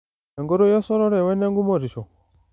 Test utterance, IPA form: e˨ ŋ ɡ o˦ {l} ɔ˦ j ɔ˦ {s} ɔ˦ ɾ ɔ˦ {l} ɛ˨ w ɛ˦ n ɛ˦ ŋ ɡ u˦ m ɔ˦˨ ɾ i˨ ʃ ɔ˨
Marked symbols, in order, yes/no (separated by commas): no, yes, no